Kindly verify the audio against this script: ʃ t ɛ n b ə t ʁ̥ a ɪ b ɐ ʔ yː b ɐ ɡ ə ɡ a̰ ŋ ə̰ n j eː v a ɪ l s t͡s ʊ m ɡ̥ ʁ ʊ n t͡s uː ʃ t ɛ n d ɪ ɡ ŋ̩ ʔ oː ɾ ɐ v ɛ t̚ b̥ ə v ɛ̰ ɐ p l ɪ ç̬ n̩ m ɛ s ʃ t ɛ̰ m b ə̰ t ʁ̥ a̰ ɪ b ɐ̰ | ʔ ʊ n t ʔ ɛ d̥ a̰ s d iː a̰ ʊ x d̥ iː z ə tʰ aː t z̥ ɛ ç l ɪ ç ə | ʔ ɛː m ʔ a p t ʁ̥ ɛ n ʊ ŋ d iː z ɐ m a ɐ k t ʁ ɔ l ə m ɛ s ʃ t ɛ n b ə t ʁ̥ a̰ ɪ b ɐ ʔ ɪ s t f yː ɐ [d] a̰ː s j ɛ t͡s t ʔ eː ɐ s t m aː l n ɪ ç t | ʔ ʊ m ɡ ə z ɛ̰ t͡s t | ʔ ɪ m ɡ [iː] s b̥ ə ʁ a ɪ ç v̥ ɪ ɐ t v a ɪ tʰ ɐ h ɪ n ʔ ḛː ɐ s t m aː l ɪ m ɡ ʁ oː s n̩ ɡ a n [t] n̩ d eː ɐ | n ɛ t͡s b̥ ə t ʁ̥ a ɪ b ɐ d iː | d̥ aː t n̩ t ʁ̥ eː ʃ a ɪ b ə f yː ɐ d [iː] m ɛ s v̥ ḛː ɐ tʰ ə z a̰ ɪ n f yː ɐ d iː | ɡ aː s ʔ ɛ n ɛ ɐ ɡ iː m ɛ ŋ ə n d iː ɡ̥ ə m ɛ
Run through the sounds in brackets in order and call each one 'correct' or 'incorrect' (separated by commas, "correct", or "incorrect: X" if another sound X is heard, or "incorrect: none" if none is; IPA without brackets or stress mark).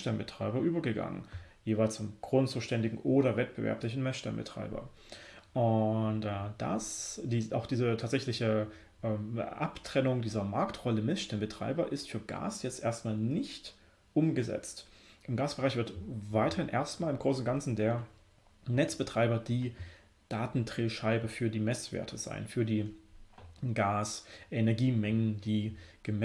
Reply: incorrect: ɡ, incorrect: aː, incorrect: t͡s, correct